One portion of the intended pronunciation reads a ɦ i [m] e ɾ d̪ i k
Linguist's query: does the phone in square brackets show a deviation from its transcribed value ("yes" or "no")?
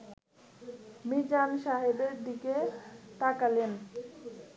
yes